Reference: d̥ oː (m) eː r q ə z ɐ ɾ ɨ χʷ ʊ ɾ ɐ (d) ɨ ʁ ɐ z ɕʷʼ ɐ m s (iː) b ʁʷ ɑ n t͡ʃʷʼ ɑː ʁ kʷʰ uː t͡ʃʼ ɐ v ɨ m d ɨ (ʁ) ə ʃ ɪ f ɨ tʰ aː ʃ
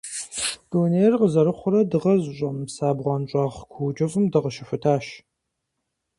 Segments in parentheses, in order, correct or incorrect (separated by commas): incorrect, correct, incorrect, correct